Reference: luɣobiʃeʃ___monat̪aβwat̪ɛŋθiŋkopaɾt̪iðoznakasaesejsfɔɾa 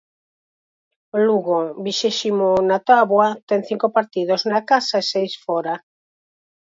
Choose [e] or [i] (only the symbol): i